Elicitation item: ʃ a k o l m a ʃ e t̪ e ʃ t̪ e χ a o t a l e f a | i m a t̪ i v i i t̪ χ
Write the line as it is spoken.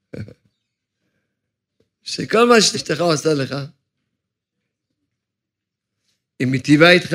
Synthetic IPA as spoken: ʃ e k o l m a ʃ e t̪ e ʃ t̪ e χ a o s a l e χ a | i m i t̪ i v a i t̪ χ